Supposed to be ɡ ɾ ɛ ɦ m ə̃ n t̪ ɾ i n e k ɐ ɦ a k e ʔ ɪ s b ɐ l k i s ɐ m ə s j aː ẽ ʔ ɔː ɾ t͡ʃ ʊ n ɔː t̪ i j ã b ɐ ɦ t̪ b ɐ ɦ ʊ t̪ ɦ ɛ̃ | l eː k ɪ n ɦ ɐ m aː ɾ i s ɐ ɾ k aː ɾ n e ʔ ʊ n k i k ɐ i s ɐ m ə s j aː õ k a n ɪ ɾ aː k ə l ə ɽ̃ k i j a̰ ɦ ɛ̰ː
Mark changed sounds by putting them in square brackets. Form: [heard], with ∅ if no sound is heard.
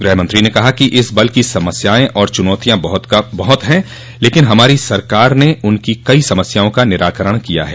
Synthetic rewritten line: ɡ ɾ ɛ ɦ m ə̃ n t̪ ɾ i n e k ɐ ɦ a k [i] ʔ ɪ s b ɐ l k i s ɐ m ə s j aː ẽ ʔ ɔː ɾ t͡ʃ ʊ n ɔː t̪ i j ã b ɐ ɦ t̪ b ɐ ɦ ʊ t̪ ɦ ɛ̃ | l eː k ɪ n ɦ ɐ m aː ɾ i s ɐ ɾ k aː ɾ n e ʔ ʊ n k i k ɐ i s ɐ m ə s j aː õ k a n ɪ ɾ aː k ə [ɾ] ə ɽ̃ k i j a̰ ɦ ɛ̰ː